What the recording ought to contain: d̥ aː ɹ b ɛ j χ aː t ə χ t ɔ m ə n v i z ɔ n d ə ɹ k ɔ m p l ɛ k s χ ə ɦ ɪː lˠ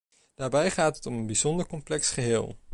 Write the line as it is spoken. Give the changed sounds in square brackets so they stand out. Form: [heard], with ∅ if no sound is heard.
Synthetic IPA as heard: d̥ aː ɹ b ɛ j χ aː t ə [∅] t ɔ m ə n [b] i z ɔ n d ə ɹ k ɔ m p l ɛ k s χ ə ɦ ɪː lˠ